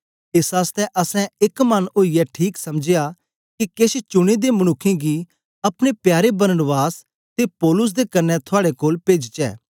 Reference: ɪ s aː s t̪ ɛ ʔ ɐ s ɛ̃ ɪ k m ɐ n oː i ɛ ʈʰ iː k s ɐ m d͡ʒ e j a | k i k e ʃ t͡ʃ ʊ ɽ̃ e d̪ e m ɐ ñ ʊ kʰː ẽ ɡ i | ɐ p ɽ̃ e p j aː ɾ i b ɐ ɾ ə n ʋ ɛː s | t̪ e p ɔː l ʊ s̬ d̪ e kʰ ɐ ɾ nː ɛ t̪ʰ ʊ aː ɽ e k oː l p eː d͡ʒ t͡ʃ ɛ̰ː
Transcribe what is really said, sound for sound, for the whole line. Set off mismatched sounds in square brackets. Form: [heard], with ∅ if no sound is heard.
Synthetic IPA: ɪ s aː s t̪ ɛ ʔ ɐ s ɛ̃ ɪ k m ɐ n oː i ɛ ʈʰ iː k s ɐ m d͡ʒ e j a | k i k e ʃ t͡ʃ ʊ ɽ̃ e d̪ e m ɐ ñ ʊ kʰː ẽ ɡ i | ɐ p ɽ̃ e p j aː ɾ [e] b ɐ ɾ ə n ʋ [aː] s | t̪ e p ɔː l ʊ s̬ d̪ e [k] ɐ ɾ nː ɛ t̪ʰ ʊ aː ɽ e k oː l p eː d͡ʒ t͡ʃ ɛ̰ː